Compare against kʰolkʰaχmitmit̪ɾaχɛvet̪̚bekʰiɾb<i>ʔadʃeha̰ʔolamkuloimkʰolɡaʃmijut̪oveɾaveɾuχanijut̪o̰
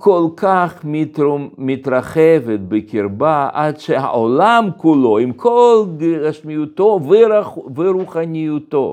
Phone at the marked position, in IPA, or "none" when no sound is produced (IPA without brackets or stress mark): a